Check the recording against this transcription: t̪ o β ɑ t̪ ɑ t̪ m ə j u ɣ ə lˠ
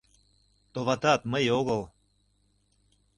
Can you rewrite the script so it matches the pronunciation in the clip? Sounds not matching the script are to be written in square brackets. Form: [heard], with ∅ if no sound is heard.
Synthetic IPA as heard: t̪ o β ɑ t̪ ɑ t̪ m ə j [o] ɣ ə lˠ